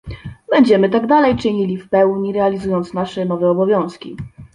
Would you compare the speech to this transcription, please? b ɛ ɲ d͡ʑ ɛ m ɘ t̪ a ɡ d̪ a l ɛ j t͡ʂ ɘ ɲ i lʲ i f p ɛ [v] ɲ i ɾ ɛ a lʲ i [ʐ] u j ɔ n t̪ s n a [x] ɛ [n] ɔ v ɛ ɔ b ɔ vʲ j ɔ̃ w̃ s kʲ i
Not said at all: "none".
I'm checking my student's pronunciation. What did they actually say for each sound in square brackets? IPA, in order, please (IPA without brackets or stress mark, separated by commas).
w, z, ʂ, n